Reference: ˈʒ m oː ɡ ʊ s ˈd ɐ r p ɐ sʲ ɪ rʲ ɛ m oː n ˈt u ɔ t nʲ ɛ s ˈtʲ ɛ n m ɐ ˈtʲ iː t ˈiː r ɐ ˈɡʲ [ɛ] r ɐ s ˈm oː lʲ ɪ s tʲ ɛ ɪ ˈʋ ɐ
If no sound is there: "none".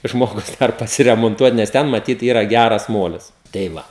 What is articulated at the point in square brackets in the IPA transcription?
æ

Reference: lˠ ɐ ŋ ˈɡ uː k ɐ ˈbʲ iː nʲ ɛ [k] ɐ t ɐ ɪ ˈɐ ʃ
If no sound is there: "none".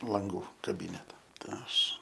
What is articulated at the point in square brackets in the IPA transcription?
t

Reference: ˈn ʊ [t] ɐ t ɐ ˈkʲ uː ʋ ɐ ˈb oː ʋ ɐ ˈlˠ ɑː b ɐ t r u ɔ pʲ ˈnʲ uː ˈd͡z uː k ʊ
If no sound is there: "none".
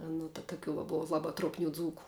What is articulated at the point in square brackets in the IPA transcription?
t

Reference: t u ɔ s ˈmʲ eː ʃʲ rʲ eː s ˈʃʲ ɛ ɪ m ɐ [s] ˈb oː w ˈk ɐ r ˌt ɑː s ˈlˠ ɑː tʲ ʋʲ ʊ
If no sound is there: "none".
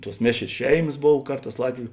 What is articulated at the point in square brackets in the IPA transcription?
s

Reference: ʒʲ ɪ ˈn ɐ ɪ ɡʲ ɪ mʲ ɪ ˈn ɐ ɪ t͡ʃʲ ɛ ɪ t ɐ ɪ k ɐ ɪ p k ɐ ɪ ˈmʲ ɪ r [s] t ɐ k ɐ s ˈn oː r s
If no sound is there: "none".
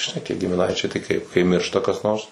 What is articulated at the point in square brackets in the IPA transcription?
ʃ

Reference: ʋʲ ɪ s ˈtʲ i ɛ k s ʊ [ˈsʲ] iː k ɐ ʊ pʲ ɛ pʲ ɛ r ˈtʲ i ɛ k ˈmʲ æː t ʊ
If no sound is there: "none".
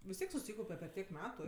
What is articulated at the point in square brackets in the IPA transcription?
sʲ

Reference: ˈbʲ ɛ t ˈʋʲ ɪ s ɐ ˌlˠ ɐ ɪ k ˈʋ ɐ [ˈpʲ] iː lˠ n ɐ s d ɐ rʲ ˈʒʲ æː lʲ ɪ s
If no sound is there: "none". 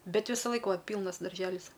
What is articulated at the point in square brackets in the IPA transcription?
pʲ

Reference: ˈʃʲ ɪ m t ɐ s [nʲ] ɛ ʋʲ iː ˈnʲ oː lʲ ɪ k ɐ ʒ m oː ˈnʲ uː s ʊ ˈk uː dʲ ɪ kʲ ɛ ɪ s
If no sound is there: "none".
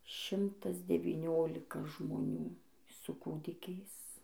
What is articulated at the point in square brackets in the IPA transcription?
dʲ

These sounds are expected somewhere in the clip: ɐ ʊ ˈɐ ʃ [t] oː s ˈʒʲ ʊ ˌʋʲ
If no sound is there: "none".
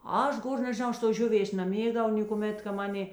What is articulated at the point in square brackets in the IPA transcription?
t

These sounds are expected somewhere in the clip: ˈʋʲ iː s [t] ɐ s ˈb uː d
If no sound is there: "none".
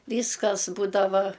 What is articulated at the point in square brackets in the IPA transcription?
k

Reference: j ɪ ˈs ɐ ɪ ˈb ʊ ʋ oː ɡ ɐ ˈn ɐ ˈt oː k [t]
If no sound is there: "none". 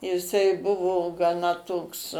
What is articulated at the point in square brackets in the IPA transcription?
s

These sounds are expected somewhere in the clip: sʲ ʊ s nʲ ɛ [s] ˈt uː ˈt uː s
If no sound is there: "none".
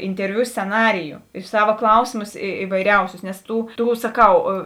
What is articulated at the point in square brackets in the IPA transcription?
s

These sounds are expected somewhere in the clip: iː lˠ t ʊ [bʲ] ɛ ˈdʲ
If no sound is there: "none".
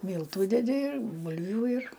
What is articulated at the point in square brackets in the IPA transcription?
dʲ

